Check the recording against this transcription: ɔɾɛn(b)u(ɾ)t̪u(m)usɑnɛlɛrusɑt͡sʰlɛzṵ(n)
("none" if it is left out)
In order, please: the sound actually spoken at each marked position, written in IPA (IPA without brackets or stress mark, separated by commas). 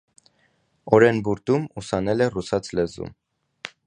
b, ɾ, m, m